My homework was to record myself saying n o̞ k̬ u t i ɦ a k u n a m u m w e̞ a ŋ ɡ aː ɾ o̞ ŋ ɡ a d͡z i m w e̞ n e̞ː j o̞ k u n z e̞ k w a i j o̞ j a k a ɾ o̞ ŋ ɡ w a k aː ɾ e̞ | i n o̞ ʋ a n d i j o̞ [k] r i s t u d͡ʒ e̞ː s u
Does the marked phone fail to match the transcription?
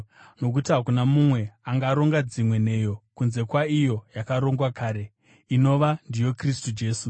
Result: no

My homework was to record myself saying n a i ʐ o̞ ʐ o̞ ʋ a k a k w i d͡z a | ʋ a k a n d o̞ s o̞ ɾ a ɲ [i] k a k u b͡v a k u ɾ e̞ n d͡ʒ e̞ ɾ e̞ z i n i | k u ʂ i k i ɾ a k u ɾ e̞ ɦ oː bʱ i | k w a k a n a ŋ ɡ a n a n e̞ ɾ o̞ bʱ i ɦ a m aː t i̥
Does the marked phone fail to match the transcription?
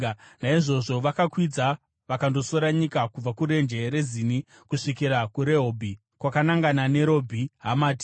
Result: no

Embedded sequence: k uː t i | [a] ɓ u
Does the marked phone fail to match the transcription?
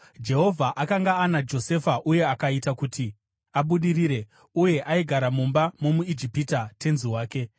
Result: no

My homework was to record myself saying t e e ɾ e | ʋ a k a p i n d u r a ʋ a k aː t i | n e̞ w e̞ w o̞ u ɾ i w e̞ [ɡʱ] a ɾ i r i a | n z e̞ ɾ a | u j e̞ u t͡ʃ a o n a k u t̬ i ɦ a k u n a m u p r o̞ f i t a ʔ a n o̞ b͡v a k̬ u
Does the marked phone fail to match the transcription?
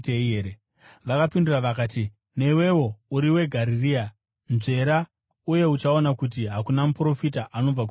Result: no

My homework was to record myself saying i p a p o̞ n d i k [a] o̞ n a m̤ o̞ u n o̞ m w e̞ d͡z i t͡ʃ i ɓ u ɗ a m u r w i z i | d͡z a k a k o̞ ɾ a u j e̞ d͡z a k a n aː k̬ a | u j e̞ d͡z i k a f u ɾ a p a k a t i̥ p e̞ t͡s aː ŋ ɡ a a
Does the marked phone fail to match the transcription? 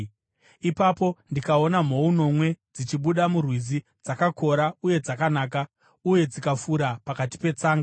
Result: no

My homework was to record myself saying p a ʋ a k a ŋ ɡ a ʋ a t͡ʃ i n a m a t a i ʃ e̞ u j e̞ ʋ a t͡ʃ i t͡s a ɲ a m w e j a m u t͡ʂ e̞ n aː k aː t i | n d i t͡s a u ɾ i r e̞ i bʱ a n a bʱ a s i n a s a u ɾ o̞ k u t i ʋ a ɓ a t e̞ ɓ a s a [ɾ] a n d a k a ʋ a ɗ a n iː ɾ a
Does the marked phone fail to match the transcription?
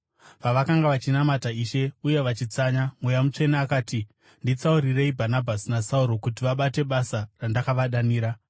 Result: yes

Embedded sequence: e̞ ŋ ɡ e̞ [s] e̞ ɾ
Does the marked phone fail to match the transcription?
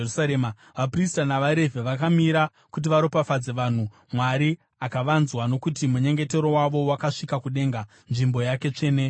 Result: yes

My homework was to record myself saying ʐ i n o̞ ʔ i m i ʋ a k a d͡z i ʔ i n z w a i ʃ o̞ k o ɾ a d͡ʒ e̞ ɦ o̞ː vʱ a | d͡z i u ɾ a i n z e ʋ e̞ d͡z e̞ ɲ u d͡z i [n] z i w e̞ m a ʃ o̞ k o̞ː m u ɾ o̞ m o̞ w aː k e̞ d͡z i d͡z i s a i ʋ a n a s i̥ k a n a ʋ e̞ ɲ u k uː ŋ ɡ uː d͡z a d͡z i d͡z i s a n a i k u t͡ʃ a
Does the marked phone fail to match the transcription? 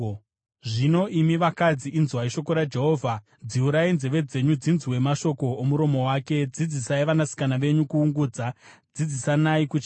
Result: no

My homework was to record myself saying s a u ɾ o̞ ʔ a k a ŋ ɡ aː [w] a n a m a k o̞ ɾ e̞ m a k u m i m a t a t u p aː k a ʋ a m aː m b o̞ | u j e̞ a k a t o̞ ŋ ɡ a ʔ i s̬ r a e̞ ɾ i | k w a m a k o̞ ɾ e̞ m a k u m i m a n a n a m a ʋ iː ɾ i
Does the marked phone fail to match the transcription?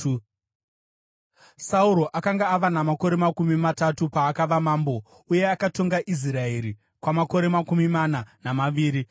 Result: yes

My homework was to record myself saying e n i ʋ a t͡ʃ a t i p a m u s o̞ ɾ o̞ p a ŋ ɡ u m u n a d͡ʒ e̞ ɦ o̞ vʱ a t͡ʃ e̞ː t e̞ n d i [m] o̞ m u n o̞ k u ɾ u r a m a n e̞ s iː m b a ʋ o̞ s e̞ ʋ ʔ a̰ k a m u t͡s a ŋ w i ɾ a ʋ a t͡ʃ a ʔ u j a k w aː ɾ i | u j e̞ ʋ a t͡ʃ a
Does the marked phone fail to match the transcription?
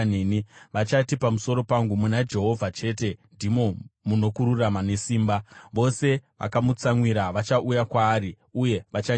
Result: no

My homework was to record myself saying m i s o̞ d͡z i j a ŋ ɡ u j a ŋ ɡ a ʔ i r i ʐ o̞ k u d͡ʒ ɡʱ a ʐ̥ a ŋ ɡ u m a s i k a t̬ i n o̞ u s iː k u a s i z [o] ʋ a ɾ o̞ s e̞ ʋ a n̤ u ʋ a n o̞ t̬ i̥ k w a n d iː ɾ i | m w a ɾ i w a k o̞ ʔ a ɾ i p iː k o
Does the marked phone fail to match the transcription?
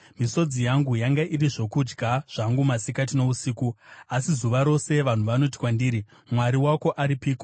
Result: yes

